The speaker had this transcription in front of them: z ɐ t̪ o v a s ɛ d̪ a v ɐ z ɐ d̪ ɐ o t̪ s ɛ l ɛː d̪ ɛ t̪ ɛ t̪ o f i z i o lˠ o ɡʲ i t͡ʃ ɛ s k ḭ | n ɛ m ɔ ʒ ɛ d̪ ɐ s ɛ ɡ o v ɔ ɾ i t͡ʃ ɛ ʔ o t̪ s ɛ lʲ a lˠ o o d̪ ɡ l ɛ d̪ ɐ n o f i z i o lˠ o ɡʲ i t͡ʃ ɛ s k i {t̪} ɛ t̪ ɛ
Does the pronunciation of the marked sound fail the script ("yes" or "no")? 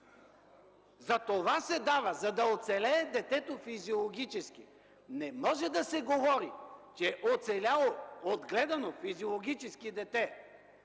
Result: yes